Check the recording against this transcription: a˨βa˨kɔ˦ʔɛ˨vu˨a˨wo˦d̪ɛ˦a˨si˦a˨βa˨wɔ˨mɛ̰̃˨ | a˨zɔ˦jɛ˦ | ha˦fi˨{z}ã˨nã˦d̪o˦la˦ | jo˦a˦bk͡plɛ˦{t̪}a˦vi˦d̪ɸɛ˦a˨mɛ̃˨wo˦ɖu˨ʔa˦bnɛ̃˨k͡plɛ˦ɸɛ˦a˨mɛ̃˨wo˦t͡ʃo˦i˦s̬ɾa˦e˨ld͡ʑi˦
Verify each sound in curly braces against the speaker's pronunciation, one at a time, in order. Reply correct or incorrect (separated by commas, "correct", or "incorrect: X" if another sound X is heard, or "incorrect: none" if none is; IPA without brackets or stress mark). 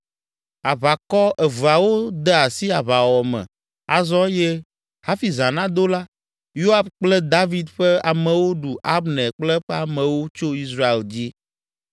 correct, incorrect: d̪